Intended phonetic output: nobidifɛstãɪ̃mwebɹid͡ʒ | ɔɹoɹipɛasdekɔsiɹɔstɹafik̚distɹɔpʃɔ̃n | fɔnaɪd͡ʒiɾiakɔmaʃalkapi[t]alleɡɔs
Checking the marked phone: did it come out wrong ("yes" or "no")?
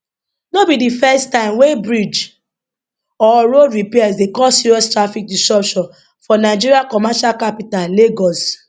no